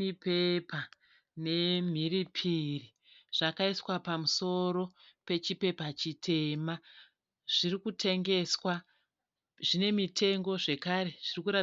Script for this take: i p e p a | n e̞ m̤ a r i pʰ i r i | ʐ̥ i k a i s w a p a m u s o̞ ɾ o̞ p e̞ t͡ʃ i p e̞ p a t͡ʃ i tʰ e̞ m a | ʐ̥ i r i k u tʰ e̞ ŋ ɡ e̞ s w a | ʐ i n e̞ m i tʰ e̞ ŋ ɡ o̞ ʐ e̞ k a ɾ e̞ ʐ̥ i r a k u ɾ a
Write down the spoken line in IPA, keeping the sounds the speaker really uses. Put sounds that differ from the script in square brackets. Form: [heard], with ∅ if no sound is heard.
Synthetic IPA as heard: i p e p a | n e̞ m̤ [i] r i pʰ i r i | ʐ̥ [a] k a i s w a p a m u s o̞ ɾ o̞ p e̞ t͡ʃ i p e̞ p a t͡ʃ i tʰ e̞ m a | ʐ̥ i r i k u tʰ e̞ ŋ ɡ e̞ s w a | ʐ i n e̞ m i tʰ e̞ ŋ ɡ o̞ ʐ e̞ k a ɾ e̞ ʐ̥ i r [i] k u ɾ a